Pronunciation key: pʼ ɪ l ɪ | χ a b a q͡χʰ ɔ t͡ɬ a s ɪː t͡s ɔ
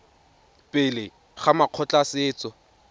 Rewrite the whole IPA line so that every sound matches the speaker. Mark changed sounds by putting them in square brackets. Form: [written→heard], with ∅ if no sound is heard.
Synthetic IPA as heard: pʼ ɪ l ɪ | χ a [b→m] a q͡χʰ ɔ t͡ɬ a s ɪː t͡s ɔ